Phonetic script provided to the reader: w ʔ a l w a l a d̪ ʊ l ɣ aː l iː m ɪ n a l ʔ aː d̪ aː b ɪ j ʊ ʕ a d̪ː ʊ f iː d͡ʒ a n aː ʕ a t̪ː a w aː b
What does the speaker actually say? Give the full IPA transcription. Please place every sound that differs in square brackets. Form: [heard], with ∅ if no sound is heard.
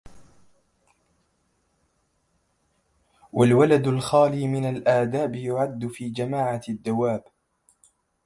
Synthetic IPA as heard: w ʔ a l w a l a d̪ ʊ l [x] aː l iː m ɪ n a l ʔ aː d̪ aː b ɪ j ʊ ʕ a d̪ː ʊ f iː d͡ʒ a [m] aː ʕ a [d̪ː] a w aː b

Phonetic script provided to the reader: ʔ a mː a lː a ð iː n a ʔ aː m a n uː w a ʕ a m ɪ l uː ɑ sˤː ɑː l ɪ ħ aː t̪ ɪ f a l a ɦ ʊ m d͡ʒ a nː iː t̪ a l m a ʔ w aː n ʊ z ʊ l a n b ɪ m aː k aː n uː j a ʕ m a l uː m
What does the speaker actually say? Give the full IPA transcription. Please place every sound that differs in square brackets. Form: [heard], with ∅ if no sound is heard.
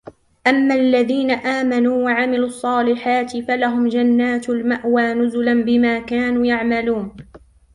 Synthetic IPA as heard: ʔ a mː a lː a ð iː n a ʔ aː m a n uː w a ʕ a m ɪ l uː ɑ sˤː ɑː l ɪ ħ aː t̪ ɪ f a l a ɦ ʊ m d͡ʒ a nː [aː] t̪ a l m a ʔ w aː n ʊ z ʊ l a n b ɪ m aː k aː n uː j a ʕ m a l uː [n]

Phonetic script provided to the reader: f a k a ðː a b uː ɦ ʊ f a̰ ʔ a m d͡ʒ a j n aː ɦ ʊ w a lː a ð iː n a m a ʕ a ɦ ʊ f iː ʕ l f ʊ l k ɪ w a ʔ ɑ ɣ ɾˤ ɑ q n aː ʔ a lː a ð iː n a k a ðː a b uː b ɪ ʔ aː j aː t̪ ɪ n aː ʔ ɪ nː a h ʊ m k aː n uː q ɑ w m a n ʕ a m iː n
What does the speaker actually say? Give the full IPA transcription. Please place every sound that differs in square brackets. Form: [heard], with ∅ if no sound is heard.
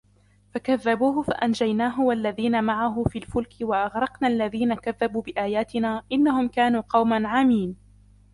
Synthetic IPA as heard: f a k a ðː a b uː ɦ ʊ f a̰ ʔ a [n] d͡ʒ a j n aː ɦ ʊ w a lː a ð iː n a m a ʕ a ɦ ʊ f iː [∅] l f ʊ l k ɪ w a ʔ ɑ ɣ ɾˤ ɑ q n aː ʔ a lː a ð iː n a k a ðː a b uː b ɪ ʔ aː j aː t̪ ɪ n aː ʔ ɪ nː a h ʊ m k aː n uː q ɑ w m a n ʕ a m iː n

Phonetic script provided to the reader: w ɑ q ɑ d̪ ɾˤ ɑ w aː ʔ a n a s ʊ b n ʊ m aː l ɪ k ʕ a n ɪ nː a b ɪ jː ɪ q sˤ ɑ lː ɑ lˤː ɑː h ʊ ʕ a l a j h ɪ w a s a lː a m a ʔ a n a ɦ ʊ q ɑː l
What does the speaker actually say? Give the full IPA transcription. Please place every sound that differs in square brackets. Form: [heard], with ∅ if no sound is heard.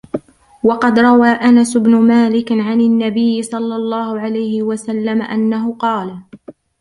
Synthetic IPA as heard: w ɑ q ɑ d̪ ɾˤ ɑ w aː ʔ a n a s ʊ b n ʊ m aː l ɪ k ʕ a n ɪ nː a b ɪ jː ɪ [∅] sˤ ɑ lː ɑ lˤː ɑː h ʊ ʕ a l a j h ɪ w a s a lː a m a ʔ a [nː] a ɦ ʊ q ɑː l

